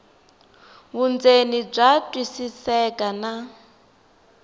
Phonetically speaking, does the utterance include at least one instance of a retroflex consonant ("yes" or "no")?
yes